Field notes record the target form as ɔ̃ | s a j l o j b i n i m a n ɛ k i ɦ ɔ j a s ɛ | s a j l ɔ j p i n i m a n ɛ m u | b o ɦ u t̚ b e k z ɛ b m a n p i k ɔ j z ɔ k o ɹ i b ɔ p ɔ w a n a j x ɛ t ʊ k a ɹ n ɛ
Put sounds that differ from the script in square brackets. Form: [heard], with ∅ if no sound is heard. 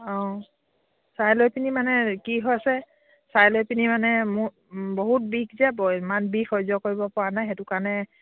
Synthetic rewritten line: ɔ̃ | s a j l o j [p] i n i m a n ɛ k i ɦ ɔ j a s ɛ | s a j l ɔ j p i n i m a n ɛ m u | b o ɦ u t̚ b [i] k z ɛ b m a n [b] i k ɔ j z ɔ k o ɹ i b ɔ p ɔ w a n a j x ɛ t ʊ k a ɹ n ɛ